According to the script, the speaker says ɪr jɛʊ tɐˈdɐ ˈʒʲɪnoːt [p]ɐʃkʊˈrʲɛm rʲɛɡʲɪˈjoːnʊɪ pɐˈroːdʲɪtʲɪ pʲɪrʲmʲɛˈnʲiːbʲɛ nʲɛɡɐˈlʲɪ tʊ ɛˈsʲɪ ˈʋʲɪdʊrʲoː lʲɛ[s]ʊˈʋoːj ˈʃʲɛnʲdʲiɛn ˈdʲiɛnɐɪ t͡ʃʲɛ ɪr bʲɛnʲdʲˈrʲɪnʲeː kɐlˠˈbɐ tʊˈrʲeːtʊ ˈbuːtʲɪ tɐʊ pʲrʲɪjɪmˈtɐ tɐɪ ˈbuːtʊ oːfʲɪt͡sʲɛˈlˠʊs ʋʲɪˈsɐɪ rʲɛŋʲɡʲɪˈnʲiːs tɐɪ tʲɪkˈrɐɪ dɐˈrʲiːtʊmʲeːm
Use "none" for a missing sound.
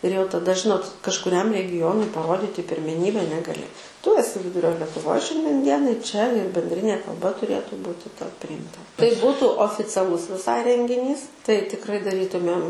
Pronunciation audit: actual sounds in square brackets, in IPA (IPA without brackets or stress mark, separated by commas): k, t